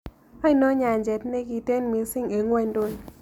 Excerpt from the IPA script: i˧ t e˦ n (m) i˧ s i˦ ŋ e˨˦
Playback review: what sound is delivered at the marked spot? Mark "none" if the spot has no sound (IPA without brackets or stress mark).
m